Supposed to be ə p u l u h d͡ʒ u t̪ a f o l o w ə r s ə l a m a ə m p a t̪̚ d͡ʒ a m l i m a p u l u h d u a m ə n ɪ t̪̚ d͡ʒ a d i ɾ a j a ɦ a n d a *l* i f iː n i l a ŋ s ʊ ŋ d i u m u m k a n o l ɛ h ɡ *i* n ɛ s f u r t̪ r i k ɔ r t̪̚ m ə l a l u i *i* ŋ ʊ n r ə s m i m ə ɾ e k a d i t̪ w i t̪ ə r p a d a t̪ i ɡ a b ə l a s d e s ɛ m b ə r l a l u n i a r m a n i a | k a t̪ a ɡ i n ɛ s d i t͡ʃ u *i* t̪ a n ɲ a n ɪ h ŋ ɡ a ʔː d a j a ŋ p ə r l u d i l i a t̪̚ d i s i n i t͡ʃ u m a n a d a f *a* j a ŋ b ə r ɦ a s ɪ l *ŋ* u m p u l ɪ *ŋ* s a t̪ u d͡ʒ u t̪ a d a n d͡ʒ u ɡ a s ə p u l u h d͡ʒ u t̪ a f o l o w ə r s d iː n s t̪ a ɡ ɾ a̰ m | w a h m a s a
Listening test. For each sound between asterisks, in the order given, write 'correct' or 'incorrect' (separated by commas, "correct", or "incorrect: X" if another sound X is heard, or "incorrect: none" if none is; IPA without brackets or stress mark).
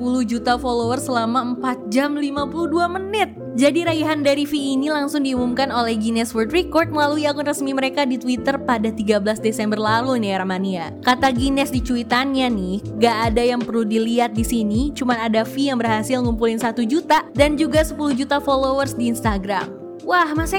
incorrect: ɾ, correct, incorrect: a, correct, incorrect: i, correct, incorrect: n